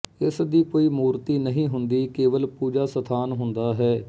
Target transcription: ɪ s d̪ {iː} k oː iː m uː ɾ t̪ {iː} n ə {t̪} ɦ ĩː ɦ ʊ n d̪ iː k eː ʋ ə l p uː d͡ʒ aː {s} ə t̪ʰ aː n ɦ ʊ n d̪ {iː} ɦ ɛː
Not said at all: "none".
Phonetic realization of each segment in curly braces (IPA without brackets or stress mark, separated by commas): iː, iː, none, s, aː